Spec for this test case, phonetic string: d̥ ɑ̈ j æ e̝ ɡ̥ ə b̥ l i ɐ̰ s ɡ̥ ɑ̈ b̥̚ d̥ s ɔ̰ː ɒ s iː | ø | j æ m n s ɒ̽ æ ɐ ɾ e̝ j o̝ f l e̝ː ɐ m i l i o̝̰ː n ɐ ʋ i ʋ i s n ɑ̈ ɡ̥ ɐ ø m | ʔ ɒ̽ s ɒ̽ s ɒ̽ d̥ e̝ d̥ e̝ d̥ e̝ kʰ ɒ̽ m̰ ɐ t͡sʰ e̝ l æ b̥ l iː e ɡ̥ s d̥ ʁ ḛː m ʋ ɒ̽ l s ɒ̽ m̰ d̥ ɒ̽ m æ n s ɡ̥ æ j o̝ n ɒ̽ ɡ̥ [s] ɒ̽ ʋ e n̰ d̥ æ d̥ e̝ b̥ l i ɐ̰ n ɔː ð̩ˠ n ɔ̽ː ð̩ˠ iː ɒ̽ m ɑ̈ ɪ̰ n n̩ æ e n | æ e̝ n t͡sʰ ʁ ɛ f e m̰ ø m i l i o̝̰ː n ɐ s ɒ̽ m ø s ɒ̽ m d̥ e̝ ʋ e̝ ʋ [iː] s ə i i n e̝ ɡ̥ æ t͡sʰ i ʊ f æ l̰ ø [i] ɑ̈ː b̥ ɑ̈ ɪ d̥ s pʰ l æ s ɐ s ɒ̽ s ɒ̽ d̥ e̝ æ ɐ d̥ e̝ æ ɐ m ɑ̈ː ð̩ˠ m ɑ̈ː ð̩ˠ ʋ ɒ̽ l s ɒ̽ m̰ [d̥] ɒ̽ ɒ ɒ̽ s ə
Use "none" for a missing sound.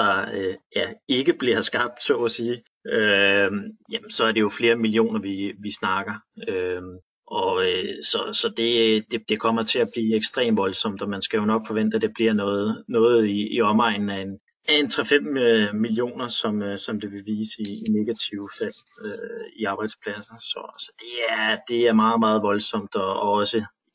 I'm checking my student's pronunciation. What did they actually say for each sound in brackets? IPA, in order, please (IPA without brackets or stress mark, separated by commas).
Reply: f, iː, i, d̥